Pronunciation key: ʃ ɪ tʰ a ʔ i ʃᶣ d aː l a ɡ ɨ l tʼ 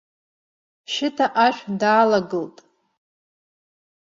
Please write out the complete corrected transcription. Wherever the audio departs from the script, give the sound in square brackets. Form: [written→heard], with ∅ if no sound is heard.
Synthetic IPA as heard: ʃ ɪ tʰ a ʔ [i→a] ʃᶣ d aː l a ɡ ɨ l tʼ